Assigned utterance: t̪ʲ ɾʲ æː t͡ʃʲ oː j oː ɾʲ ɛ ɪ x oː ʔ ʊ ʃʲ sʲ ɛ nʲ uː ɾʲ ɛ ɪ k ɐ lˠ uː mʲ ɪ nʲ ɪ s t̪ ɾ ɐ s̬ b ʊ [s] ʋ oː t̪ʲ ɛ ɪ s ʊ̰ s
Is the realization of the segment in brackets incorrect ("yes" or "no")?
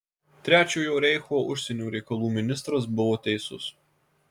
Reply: yes